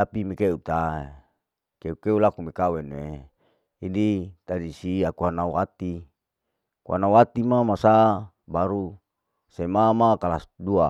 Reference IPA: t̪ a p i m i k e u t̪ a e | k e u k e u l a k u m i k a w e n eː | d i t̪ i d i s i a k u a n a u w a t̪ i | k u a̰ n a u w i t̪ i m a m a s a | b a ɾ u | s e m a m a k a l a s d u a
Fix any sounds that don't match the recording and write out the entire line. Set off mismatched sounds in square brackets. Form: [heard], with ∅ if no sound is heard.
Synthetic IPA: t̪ a p i m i k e u t̪ a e | k e u k e u l a k u m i k a w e n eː | d i t̪ [a] d i s i a k u a n a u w a t̪ i | k u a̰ n a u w [a] t̪ i m a m a s a | b a ɾ u | s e m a m a k a l a s d u a